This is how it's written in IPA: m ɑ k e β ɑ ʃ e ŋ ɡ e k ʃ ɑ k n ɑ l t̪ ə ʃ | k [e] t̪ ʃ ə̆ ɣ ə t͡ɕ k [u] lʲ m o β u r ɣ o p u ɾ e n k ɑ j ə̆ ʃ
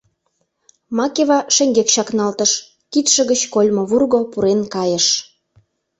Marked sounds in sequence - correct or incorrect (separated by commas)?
incorrect, incorrect